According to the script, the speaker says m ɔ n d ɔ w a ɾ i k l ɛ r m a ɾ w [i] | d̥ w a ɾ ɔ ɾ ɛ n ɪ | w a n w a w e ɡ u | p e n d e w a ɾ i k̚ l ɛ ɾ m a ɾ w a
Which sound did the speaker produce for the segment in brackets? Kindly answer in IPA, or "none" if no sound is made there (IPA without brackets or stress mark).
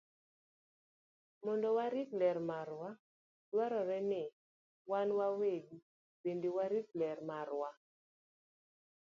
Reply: a